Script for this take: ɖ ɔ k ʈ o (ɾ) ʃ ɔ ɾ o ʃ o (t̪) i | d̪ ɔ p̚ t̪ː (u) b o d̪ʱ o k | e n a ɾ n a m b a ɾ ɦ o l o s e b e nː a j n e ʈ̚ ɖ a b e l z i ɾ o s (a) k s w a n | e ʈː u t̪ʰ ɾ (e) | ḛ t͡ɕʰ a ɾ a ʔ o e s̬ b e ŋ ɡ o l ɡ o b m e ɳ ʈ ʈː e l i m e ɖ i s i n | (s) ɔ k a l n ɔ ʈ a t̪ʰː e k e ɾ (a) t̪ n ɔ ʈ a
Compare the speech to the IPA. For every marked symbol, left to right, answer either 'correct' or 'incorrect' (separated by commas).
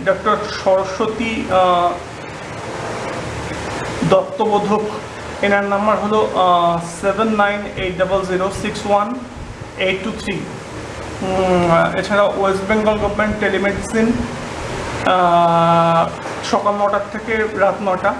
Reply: correct, correct, incorrect, incorrect, incorrect, incorrect, correct